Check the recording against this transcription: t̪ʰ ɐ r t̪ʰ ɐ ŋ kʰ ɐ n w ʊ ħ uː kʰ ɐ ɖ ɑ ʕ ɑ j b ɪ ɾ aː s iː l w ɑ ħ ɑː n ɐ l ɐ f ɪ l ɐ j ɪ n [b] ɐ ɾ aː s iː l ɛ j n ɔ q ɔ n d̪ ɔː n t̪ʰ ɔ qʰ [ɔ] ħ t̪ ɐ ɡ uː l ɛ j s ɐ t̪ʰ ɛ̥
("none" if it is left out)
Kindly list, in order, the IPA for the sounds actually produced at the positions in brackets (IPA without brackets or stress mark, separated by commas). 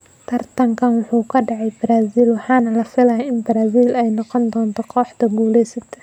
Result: b, ɔː